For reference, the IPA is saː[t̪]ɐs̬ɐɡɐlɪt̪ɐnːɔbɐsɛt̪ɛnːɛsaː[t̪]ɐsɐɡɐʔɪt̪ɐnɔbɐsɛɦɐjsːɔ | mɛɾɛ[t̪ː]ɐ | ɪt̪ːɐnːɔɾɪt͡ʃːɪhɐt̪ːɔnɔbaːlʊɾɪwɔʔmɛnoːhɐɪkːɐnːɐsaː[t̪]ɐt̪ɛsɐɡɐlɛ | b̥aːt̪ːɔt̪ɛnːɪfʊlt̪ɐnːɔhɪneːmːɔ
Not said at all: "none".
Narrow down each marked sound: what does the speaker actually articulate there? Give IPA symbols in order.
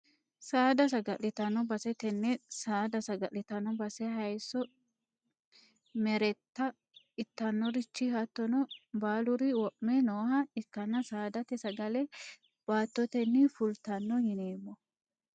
d̪, d̪, t̪ː, d̪

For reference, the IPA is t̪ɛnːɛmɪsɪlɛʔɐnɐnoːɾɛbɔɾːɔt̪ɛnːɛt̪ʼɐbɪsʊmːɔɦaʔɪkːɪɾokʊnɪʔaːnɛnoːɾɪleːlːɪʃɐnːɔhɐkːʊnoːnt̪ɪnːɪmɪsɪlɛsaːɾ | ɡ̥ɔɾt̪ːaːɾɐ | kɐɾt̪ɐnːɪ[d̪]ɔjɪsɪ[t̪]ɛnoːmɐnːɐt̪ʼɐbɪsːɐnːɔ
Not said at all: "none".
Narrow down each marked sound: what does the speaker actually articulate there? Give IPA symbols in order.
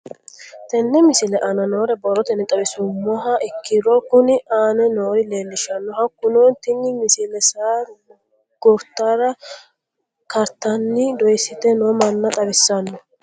d̪, t̪

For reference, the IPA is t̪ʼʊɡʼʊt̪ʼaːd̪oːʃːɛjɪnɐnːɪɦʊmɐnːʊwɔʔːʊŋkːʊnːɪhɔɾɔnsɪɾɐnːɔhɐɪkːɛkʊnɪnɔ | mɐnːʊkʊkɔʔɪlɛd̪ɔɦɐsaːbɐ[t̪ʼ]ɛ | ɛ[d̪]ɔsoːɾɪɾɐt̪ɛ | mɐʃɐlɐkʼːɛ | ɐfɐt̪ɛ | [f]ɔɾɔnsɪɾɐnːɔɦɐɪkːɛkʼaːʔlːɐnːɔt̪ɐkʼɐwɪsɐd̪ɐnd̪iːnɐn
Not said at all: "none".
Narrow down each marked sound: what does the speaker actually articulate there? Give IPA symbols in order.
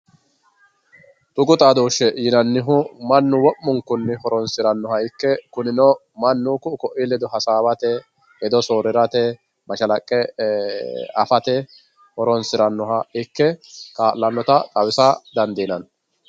t̪, d̪, h

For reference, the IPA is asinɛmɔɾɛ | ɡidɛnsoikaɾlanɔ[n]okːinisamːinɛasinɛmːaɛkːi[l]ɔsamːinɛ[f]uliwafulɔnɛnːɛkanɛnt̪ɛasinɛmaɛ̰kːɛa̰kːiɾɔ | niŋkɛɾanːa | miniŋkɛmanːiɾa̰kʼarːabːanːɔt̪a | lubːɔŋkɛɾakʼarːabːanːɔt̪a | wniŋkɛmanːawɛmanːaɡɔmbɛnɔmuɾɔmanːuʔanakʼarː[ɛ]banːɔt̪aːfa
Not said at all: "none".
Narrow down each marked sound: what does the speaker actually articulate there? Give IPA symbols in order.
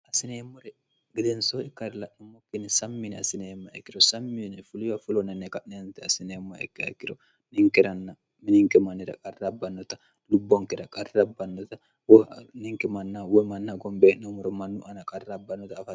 m, ɾ, f, a

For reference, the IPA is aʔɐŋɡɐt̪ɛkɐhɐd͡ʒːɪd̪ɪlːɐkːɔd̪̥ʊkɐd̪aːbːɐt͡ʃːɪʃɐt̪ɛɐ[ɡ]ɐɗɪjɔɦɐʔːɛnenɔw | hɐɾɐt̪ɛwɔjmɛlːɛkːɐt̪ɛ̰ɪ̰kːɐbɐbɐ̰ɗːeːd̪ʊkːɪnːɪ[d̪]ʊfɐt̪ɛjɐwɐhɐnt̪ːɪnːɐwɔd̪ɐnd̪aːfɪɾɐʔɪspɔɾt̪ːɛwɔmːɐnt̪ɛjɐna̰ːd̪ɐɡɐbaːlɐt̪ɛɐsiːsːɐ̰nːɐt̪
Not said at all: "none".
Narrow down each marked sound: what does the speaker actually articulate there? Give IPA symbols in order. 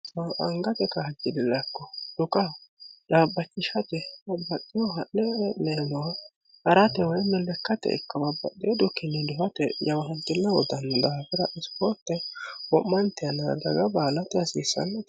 b, d̪

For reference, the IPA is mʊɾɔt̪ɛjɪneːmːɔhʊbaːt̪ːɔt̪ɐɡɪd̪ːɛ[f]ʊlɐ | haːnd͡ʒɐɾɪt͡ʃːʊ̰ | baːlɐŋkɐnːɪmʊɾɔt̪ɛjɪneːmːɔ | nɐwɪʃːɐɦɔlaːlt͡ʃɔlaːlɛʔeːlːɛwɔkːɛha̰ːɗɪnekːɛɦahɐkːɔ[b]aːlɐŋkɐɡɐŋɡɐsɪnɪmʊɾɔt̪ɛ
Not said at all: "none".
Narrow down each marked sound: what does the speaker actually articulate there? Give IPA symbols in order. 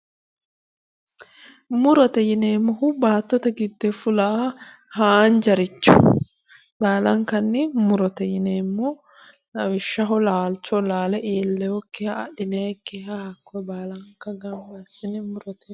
f, b

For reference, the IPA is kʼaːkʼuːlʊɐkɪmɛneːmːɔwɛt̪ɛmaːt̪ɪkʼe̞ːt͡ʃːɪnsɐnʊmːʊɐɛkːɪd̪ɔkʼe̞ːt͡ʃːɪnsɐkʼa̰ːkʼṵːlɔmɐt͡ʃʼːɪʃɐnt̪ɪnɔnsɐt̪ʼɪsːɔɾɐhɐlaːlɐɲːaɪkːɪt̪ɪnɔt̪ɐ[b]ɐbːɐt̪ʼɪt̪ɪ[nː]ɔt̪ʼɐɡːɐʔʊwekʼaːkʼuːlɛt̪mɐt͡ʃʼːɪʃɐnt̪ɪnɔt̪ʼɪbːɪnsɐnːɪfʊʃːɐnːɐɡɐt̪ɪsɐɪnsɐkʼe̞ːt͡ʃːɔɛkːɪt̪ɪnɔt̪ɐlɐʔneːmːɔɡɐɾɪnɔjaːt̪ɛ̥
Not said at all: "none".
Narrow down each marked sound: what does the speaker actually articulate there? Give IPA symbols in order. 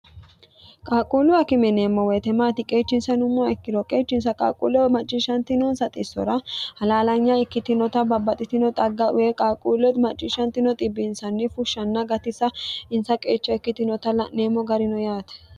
b, n

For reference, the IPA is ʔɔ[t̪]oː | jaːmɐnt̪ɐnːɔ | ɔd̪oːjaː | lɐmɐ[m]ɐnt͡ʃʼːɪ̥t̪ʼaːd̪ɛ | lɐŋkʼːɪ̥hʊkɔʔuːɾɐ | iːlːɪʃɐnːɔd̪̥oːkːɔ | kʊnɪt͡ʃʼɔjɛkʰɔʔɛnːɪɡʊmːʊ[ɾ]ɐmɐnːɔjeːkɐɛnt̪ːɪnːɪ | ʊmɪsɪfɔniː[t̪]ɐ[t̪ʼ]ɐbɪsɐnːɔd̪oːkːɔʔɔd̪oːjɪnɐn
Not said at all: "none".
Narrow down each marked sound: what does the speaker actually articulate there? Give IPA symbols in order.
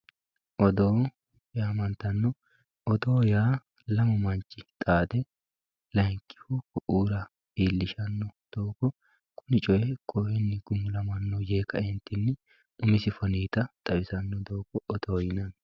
d̪, m, l, t̪, t̪ʼ

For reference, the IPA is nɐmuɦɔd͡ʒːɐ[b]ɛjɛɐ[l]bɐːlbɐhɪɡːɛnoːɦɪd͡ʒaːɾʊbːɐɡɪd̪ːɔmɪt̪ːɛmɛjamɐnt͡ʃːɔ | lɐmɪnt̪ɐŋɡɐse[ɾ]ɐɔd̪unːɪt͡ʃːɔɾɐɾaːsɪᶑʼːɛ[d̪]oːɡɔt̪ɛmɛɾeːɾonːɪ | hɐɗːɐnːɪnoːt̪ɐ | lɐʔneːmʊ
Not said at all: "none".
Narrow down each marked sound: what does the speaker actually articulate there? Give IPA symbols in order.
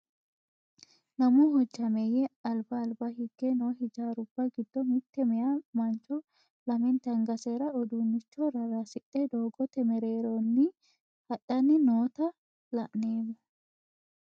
m, l, ɾ, d̪

